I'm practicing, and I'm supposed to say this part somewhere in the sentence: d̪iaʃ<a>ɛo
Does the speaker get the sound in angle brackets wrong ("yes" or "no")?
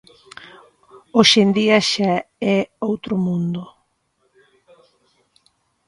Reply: no